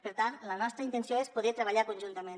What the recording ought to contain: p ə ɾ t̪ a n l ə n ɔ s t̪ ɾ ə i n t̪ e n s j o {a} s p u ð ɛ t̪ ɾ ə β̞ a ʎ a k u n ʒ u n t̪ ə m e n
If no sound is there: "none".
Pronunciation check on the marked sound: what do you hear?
e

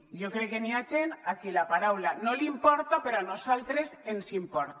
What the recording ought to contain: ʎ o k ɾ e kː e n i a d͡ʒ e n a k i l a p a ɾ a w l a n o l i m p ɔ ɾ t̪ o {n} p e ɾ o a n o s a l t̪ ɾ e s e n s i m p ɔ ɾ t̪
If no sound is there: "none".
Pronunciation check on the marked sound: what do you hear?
none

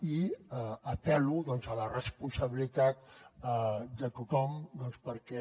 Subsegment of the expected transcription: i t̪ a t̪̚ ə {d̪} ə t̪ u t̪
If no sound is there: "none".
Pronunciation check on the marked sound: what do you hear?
d̪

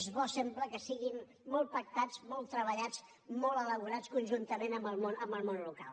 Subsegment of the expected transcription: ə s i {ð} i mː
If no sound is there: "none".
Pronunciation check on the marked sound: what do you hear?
ɣ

